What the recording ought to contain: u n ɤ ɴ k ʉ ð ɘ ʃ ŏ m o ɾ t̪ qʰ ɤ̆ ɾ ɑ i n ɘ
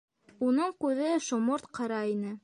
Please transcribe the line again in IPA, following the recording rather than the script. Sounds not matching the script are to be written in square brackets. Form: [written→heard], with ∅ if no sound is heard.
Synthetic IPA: u n ɤ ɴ k ʉ ð ɘ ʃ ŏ m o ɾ t̪ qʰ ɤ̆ ɾ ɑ i n ɘ